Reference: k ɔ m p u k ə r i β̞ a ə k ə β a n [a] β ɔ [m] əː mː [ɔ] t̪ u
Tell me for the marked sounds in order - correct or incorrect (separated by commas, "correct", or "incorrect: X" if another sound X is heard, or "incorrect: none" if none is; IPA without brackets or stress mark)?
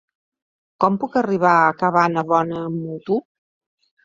incorrect: ə, incorrect: n, incorrect: u